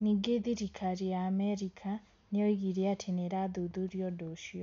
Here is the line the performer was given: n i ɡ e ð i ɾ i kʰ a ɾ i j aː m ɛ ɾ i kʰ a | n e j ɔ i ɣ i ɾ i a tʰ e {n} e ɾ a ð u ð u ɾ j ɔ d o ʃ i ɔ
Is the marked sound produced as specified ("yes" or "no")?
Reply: yes